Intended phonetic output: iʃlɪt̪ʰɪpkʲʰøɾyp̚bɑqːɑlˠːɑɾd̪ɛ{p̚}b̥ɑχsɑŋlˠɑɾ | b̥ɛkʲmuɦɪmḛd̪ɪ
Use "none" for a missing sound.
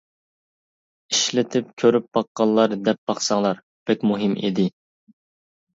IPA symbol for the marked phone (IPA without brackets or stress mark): p̚